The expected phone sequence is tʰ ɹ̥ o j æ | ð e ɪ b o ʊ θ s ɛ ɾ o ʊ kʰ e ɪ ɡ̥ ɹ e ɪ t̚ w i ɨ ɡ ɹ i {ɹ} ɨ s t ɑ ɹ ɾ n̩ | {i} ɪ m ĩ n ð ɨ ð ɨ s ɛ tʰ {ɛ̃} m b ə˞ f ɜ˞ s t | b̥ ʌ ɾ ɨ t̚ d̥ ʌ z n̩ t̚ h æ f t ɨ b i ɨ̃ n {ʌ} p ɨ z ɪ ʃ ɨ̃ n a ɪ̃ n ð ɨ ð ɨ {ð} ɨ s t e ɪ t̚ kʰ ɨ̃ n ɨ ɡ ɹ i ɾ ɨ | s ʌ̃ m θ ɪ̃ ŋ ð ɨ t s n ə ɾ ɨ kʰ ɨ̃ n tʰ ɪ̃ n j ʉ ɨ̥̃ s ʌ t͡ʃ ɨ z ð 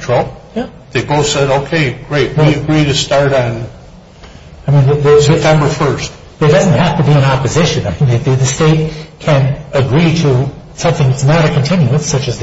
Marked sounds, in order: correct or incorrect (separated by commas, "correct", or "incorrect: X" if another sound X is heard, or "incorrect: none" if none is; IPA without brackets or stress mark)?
incorrect: ɾ, incorrect: a, correct, incorrect: ɑ, correct